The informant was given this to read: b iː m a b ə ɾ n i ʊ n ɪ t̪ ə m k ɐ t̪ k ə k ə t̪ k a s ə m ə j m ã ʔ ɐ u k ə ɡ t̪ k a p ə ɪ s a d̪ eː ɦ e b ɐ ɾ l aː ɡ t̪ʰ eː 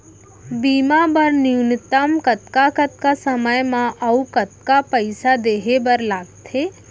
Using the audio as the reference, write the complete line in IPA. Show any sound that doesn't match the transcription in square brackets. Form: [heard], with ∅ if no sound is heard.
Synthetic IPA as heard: b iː m a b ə ɾ n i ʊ n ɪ t̪ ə m k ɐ t̪ k [a] k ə t̪ k a s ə m ə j m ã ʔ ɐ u k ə [∅] t̪ k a p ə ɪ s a d̪ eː ɦ e b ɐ ɾ l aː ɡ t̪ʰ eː